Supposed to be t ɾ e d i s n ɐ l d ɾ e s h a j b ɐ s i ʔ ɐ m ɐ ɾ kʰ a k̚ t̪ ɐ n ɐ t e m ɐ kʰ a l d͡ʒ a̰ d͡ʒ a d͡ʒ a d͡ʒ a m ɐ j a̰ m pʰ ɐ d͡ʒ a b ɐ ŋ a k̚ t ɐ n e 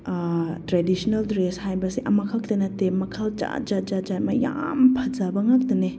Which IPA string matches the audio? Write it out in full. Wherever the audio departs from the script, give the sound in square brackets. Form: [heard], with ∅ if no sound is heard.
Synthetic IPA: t ɾ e d i s n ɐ l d ɾ e s h a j b ɐ s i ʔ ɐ m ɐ [∅] kʰ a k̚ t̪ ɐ n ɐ t e m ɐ kʰ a l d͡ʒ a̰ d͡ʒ a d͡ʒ a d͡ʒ a m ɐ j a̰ m pʰ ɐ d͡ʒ a b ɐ ŋ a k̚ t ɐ n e